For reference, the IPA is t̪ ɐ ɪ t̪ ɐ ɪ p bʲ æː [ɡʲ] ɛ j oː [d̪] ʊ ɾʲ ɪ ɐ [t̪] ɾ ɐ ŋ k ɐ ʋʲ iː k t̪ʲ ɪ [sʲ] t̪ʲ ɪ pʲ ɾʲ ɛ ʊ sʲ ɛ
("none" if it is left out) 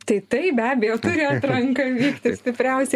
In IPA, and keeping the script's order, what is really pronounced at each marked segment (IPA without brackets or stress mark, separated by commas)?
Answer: bʲ, t̪, t̪, sʲ